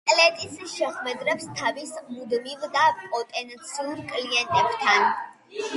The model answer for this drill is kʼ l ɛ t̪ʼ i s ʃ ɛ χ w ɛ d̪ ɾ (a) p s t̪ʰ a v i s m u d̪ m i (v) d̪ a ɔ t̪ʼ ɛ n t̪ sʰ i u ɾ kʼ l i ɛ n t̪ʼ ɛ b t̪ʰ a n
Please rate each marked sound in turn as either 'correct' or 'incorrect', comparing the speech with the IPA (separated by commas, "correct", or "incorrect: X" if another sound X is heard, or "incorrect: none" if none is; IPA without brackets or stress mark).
incorrect: ɛ, correct